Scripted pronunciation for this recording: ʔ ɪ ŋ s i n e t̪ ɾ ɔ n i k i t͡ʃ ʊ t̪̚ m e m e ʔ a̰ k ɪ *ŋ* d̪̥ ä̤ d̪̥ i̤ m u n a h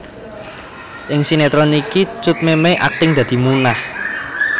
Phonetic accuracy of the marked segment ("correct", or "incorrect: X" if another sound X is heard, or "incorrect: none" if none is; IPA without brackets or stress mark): correct